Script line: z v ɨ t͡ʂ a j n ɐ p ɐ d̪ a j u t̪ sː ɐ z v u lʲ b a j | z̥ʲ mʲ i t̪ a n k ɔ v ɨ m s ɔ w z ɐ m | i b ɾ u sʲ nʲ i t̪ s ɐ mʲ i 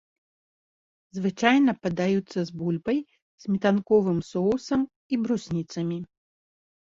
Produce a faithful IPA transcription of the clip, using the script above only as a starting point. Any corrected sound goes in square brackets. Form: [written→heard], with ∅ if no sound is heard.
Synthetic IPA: z v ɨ t͡ʂ a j n ɐ p ɐ d̪ a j u t̪ sː ɐ z [v→b] u lʲ b [a→ɐ] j | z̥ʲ mʲ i t̪ a n k ɔ v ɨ m s ɔ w [z→s] ɐ m | i b ɾ u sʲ nʲ i t̪ s ɐ mʲ i